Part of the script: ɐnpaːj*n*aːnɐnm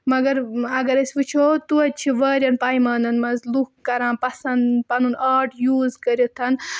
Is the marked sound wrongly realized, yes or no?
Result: yes